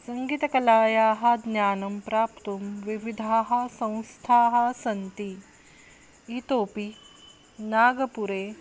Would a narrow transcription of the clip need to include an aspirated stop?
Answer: yes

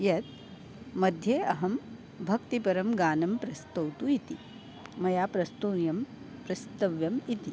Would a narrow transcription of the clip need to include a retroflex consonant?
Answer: no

